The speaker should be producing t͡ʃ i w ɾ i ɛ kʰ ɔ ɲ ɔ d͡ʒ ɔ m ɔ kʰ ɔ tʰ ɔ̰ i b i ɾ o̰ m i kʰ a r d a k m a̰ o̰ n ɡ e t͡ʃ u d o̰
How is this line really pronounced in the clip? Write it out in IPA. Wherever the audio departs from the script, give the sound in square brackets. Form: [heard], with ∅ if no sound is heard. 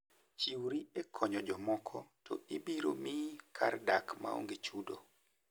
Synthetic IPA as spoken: t͡ʃ i w ɾ i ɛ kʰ ɔ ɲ ɔ d͡ʒ ɔ m ɔ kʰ ɔ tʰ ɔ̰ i b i ɾ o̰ m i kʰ a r d a k m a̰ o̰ [ŋ] ɡ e t͡ʃ u d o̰